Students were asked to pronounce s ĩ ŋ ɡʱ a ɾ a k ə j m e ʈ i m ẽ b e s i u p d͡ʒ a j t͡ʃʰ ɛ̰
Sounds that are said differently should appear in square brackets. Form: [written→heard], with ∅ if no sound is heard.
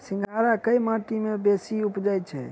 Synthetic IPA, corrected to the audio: s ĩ ŋ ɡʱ a ɾ a k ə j m [e→a] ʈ i m [ẽ→e] b e s i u p d͡ʒ a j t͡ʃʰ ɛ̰

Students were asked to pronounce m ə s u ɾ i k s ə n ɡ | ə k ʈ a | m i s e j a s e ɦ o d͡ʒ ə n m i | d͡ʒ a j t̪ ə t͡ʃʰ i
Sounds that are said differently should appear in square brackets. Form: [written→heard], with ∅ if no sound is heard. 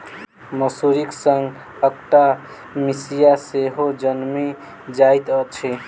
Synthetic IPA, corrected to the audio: m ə s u ɾ i k s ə [n→ŋ] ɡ | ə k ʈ a | m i s [e→i] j a s e ɦ o d͡ʒ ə n m i | d͡ʒ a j t̪ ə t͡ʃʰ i

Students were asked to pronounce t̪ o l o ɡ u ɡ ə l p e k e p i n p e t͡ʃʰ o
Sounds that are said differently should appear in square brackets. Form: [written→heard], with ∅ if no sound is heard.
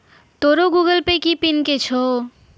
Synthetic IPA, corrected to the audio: t̪ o [l→ɾ] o ɡ u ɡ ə l p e k [e→i] p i n [p→k] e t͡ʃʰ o

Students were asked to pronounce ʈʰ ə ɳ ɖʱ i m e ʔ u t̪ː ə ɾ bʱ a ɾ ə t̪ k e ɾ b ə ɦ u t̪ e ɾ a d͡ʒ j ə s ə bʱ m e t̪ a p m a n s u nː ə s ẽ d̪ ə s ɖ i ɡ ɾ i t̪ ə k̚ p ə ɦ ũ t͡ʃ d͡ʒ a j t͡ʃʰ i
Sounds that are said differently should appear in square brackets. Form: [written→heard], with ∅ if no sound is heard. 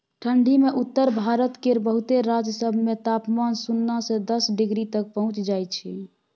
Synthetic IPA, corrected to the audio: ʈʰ ə ɳ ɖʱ i m e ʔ u t̪ː ə ɾ bʱ a ɾ ə t̪ k e ɾ b ə ɦ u t̪ e ɾ a d͡ʒ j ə s ə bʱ m e t̪ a p m a n s u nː [ə→a] s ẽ d̪ ə s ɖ i ɡ ɾ i t̪ ə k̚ p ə ɦ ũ t͡ʃ d͡ʒ a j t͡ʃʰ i

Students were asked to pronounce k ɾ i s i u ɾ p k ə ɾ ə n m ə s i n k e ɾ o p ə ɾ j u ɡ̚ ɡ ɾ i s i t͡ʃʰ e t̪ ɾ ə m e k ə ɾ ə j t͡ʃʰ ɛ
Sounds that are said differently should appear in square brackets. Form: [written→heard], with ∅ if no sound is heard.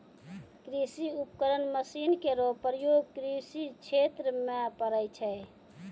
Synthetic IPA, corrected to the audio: k ɾ i s i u [ɾ→∅] p k ə ɾ ə n m ə s i n k e ɾ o p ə ɾ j [u→o] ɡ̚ [ɡ→k] ɾ i s i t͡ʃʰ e t̪ ɾ ə m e [k→p] ə ɾ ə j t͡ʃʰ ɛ

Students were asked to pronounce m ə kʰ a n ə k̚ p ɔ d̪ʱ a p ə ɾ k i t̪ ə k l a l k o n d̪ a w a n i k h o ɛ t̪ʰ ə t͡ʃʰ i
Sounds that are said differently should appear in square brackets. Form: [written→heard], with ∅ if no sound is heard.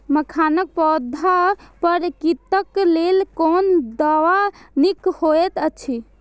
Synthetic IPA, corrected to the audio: m ə kʰ a n ə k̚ p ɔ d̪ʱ a p ə ɾ k i t̪ ə k l [a→e] l k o n d̪ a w a n i k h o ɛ [t̪ʰ→t̪] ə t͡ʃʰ i

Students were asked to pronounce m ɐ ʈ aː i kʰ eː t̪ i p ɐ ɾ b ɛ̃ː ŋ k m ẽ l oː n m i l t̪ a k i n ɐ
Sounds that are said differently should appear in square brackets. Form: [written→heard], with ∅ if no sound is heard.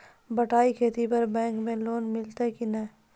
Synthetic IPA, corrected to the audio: [m→b] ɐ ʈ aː i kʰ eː t̪ i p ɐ ɾ b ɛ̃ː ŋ k m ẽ l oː n m [i→ɪ] l t̪ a k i n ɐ

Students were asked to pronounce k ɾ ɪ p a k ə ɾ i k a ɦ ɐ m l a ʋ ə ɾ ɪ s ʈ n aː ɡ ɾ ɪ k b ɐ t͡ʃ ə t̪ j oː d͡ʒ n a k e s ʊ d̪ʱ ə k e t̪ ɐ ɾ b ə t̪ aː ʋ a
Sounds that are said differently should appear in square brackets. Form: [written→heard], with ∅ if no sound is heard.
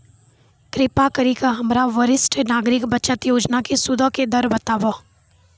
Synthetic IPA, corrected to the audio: k ɾ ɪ p a k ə ɾ i k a ɦ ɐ m [l→ɾ] a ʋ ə ɾ ɪ s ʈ n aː ɡ ɾ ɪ k b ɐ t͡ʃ ə t̪ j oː d͡ʒ n a k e s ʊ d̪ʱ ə k e [t̪→d̪] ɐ ɾ b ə t̪ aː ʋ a

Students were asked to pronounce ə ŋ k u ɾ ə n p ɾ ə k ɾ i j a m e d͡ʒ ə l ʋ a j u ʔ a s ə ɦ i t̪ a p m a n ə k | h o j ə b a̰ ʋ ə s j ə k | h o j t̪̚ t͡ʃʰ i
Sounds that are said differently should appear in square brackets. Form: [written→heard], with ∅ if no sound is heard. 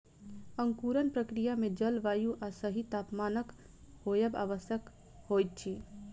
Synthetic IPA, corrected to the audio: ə ŋ k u ɾ ə n p ɾ ə k ɾ i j a m e d͡ʒ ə l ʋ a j u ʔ a s ə ɦ i t̪ a p m a n ə k | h o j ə b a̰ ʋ ə s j ə k | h o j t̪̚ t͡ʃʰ i

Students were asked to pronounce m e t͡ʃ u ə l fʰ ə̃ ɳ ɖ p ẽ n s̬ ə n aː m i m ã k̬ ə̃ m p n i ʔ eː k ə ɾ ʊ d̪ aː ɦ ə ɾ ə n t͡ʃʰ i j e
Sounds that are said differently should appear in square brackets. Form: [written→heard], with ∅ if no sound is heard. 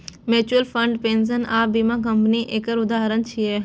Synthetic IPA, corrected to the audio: m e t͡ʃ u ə l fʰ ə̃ ɳ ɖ p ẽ n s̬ ə n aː [m→b] i m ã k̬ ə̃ m p n i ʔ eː k ə ɾ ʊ d̪ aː ɦ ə ɾ ə n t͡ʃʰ i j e

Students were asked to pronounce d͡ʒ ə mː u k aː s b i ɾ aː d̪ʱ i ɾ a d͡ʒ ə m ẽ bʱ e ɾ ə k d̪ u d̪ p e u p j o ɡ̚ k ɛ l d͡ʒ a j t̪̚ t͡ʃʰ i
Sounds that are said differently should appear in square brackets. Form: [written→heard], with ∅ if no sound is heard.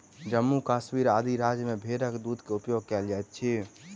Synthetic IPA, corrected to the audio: d͡ʒ ə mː u k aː s [b→m] i ɾ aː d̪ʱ i ɾ a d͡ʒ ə m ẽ bʱ e ɾ ə k d̪ u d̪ [p→k] e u p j o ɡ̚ k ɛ l d͡ʒ a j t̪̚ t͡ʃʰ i

